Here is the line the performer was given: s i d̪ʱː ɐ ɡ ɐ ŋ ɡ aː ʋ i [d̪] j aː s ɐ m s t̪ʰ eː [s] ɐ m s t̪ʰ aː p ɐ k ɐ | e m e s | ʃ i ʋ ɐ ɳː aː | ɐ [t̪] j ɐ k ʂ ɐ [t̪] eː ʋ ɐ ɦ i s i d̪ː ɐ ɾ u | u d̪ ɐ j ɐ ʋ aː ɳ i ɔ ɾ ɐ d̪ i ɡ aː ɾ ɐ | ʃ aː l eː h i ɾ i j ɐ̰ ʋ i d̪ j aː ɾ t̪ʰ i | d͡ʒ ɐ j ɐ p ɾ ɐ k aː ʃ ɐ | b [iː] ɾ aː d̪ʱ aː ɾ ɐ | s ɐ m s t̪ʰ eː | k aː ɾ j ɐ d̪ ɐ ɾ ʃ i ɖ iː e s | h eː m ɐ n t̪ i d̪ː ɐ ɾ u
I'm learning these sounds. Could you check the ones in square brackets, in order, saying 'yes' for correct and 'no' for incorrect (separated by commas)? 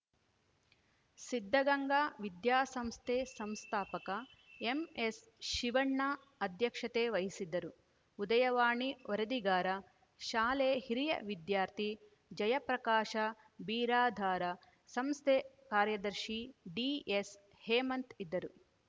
yes, yes, no, yes, yes